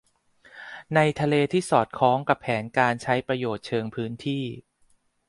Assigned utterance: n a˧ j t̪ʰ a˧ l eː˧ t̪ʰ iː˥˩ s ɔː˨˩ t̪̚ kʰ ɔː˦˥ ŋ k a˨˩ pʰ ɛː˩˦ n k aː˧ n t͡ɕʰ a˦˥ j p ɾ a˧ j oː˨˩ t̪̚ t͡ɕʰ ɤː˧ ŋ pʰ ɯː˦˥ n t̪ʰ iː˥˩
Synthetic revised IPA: n a˧ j t̪ʰ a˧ l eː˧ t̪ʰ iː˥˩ s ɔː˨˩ t̪̚ kʰ ɔː˦˥ ŋ k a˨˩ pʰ ɛː˩˦ n k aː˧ n t͡ɕʰ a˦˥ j p ɾ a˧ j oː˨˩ t̪̚ t͡ɕʰ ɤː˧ ŋ pʰ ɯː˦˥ n t̪ʰ iː˥˩